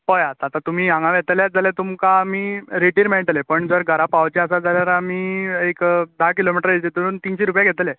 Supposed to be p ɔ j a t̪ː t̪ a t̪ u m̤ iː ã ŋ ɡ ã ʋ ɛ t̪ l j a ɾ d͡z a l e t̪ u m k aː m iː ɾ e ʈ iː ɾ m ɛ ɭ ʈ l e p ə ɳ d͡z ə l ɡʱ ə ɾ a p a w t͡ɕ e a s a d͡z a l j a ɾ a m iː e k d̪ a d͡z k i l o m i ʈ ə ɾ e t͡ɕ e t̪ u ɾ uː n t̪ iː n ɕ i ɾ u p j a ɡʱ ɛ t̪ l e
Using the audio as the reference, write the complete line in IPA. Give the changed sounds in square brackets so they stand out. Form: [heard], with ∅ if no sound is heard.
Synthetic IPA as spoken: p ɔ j a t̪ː t̪ a t̪ u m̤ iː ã ŋ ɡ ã ʋ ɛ t̪ l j a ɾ d͡z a l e t̪ u m k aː m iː ɾ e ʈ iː ɾ m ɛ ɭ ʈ l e p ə ɳ d͡z ə [ɾ] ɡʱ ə ɾ a p a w t͡ɕ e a s a d͡z a l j a ɾ a m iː e k d̪ a [∅] k i l o m i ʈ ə ɾ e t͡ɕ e t̪ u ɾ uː n t̪ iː n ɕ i ɾ u p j a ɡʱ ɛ t̪ l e